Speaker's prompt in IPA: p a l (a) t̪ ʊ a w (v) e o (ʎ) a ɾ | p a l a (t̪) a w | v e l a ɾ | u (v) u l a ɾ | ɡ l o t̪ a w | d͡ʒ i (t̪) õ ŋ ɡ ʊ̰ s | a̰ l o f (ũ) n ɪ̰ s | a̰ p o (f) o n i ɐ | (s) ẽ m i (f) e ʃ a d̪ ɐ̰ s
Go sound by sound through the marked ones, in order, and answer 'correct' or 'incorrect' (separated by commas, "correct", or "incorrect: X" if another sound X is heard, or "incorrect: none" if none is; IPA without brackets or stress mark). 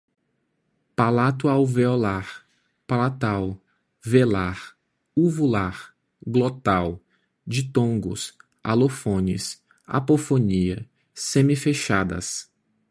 correct, correct, incorrect: l, correct, correct, correct, incorrect: õ, correct, correct, correct